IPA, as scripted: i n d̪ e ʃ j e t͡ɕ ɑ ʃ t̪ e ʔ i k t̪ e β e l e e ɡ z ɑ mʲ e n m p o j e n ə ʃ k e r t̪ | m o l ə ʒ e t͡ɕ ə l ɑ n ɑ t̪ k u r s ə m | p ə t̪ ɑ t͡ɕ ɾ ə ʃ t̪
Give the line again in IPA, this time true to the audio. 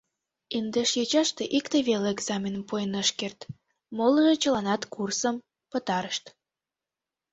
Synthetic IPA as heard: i n d̪ e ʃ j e t͡ɕ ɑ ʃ t̪ e ʔ i k t̪ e β e l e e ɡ z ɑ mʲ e n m p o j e n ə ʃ k e r t̪ | m o l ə ʒ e t͡ɕ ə l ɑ n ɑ t̪ k u r s ə m | p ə t̪ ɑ ɾ ə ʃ t̪